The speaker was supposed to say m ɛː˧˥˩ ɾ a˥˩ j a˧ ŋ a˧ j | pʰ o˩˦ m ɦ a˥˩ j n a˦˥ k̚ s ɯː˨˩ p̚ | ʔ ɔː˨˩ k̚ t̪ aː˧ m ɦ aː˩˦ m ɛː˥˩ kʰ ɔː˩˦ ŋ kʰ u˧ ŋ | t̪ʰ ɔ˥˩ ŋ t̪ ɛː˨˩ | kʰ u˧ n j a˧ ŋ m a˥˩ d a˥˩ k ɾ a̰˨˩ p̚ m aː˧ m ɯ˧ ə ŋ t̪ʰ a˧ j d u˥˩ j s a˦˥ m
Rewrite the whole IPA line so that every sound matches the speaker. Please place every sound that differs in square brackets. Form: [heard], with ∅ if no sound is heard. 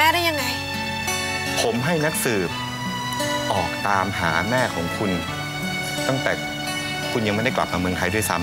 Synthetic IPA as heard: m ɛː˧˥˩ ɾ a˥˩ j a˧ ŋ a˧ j | pʰ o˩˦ m ɦ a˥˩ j n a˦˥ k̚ s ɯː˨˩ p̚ | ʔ ɔː˨˩ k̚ t̪ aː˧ m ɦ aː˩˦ m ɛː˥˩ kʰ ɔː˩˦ ŋ kʰ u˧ [n] | [t̪] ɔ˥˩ ŋ t̪ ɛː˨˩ | kʰ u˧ n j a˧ ŋ m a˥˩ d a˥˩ k [l] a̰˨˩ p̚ m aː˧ m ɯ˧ ə ŋ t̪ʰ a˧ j d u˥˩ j s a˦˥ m